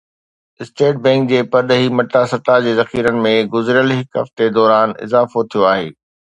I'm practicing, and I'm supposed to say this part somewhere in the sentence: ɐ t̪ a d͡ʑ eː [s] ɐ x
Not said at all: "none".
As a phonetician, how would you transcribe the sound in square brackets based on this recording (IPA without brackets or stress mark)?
z